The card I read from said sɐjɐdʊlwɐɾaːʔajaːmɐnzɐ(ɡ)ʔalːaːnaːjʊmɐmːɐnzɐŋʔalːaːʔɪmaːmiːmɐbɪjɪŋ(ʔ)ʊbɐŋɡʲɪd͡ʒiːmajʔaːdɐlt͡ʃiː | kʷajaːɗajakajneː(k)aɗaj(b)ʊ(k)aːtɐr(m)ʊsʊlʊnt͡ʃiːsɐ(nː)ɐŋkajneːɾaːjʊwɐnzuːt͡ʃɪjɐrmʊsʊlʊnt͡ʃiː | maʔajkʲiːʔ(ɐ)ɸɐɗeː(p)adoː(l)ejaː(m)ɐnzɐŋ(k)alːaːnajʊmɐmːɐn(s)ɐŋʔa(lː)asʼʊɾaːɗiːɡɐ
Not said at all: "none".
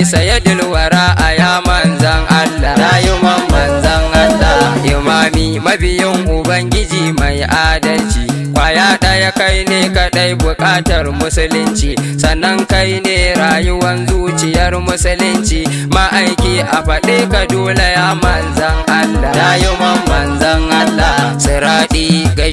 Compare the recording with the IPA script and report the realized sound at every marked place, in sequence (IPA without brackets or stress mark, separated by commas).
ŋ, ʔ, k, b, kʼ, m, nː, a, k, l, m, ʔ, z, lː